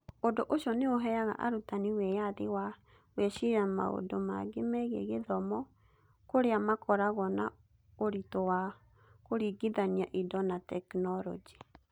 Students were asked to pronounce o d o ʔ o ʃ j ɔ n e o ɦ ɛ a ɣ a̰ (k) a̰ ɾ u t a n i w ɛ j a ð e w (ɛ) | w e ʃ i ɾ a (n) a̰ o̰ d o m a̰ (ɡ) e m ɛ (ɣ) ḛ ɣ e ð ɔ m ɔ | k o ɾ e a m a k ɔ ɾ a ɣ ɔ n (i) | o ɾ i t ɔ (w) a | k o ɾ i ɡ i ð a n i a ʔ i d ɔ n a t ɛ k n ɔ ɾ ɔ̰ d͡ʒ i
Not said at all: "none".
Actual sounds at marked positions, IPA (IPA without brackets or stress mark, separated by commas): ʔ, a, m, ɡ, ɣ, a, w